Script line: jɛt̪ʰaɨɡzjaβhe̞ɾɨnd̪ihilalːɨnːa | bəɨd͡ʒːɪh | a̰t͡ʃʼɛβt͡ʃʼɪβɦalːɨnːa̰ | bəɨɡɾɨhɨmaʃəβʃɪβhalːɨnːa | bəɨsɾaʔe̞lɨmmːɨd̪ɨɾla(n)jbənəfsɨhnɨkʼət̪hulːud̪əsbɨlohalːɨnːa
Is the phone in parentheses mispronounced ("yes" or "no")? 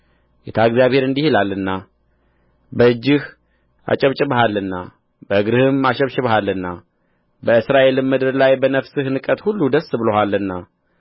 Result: yes